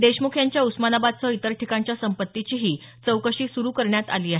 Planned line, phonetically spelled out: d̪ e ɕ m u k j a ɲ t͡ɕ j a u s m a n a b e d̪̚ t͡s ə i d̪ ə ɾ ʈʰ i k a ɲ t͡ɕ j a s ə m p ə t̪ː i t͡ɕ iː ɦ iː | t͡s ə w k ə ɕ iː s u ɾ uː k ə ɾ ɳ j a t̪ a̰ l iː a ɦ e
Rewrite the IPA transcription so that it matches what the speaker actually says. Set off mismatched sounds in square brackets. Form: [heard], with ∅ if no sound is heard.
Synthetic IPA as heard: d̪ e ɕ m u [kʰ] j a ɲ t͡ɕ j a u s m a n a b [a] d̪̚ t͡s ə i [t̪] ə ɾ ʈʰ i k a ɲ t͡ɕ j a s ə m p ə t̪ː i t͡ɕ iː ɦ iː | t͡s ə w k ə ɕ iː s u ɾ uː k ə ɾ ɳ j a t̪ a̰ l iː a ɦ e